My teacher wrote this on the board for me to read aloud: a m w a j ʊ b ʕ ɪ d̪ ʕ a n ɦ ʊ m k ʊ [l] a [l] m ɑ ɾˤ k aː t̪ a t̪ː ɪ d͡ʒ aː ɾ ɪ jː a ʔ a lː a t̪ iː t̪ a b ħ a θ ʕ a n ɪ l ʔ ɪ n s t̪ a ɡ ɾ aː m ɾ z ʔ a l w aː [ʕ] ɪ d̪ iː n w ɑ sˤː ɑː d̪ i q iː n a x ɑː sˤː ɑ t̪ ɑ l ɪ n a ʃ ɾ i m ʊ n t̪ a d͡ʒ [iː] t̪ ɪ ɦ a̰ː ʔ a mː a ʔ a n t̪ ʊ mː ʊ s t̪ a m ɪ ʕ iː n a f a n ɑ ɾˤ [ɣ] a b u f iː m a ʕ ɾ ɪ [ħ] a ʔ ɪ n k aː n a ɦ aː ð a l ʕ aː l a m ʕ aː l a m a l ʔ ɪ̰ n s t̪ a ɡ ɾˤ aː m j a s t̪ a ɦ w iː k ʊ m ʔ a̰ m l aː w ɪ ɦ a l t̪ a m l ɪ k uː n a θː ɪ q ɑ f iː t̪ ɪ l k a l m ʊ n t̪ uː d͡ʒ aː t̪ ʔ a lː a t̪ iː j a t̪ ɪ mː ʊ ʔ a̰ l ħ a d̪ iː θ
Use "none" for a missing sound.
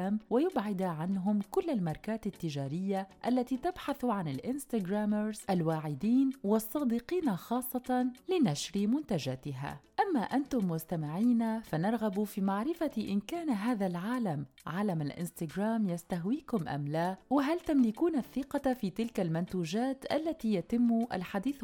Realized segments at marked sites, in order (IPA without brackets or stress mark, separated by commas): lː, l, ʕ, aː, ɣ, f